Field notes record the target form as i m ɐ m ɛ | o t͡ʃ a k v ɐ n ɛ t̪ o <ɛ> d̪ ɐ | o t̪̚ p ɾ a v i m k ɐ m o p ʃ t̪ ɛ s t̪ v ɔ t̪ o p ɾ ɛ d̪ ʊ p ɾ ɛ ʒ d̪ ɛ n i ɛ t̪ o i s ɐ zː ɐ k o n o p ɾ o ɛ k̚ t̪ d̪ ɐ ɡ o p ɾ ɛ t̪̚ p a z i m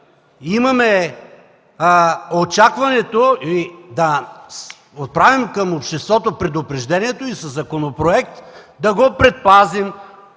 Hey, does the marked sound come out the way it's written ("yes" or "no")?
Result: no